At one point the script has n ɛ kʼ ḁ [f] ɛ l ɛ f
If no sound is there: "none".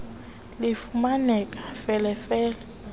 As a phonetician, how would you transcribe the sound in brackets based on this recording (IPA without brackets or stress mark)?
f